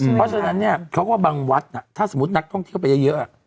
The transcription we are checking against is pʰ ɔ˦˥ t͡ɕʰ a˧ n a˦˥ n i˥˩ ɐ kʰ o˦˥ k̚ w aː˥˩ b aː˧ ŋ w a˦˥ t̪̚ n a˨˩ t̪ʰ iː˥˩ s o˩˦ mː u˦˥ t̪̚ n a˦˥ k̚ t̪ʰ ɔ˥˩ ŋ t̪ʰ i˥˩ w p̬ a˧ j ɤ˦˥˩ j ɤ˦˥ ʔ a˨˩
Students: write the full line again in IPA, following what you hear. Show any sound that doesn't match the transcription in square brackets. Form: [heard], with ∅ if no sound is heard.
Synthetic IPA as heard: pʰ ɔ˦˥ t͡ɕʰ a˧ n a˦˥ [nː] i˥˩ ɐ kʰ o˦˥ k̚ w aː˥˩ b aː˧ ŋ w a˦˥ t̪̚ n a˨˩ t̪ʰ [aː˥˩] s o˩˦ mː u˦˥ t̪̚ n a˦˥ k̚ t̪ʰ ɔ˥˩ ŋ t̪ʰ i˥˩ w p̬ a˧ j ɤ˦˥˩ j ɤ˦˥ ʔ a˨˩